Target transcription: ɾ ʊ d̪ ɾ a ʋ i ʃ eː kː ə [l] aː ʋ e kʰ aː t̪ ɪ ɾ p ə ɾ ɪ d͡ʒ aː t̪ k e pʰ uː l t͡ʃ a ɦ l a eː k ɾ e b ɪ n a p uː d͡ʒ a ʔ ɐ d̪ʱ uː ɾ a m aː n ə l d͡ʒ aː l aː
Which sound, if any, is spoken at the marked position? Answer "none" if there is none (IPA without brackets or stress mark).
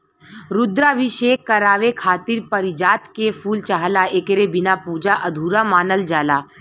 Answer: ɾ